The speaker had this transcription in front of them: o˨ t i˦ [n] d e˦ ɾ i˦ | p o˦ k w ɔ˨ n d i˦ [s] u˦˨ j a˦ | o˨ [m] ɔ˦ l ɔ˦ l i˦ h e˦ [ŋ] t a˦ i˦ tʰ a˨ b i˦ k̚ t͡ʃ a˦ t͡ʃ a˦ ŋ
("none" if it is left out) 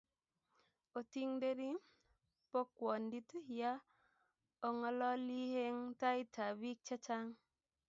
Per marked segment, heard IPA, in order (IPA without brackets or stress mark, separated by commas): ŋ, t, ŋ, ŋ